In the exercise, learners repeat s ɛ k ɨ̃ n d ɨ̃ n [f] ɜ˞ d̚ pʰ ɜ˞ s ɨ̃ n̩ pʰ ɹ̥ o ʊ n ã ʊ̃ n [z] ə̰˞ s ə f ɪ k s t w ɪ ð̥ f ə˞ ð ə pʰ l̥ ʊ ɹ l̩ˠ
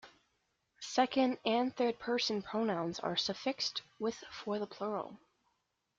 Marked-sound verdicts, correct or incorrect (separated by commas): incorrect, correct